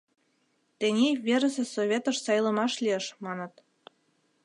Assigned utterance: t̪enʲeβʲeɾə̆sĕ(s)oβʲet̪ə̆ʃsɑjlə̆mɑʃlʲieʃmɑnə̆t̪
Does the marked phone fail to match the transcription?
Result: no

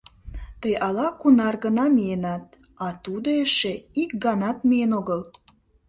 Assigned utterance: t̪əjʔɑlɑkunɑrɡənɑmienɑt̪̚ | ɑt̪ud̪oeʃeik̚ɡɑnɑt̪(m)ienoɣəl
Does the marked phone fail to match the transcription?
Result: no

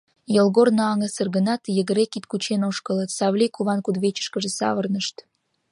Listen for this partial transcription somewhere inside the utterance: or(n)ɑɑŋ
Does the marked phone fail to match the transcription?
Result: no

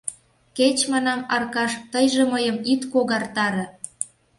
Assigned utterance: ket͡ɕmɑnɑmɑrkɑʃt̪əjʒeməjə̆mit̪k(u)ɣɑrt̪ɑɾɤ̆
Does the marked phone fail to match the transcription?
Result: yes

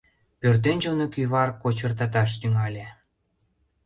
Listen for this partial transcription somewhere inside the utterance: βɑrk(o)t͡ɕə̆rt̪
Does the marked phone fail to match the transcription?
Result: no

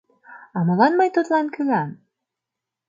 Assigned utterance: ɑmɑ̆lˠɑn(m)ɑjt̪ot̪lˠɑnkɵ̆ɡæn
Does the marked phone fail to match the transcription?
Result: no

